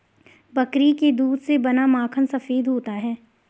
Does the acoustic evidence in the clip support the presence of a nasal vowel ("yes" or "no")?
no